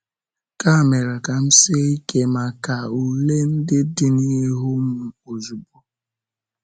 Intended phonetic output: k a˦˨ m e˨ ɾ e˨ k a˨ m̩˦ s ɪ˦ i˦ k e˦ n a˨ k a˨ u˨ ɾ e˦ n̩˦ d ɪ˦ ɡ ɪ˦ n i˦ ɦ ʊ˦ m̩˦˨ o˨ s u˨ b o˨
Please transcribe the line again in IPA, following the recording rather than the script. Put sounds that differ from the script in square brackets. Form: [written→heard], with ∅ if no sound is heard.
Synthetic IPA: k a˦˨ m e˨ ɾ [e˨→a˨] k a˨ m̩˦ s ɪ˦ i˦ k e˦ [n→m] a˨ k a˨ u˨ [ɾ→l] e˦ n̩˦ d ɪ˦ [ɡ→d] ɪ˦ n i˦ ɦ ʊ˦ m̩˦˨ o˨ [s→z] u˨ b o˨